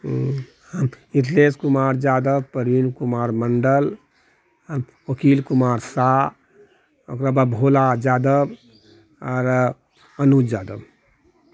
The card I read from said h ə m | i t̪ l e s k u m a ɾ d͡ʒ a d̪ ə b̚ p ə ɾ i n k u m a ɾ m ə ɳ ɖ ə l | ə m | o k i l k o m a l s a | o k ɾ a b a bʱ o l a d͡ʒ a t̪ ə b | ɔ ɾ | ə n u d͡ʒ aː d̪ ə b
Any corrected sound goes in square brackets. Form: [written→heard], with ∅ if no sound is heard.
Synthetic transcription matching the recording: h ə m | i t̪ l e s k u m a ɾ d͡ʒ a d̪ ə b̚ p ə ɾ i n k u m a ɾ m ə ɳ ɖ ə l | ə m | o k i l k [o→u] m a [l→ɾ] s a | o k ɾ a b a bʱ o l a d͡ʒ a [t̪→d̪] ə b | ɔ ɾ | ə n u d͡ʒ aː d̪ ə b